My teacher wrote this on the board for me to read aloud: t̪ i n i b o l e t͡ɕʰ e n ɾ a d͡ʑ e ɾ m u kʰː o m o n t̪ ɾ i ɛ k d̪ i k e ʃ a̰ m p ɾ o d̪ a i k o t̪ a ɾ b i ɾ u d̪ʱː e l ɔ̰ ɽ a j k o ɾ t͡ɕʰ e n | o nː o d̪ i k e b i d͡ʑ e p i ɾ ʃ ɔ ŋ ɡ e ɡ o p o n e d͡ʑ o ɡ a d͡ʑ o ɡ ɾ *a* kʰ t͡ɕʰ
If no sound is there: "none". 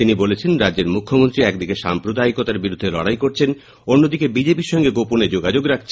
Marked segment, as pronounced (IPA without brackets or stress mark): a